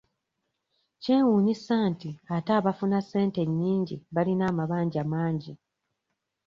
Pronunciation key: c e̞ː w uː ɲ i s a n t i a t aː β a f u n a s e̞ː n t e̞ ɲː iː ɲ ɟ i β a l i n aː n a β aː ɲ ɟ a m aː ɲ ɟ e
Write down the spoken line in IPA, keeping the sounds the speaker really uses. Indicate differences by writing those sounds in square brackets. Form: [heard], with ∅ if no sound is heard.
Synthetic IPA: c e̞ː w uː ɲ i s a n t i a t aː β a f u n a s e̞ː n t e̞ ɲː iː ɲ ɟ i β a l i n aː [m] a β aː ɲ ɟ a m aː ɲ ɟ [i]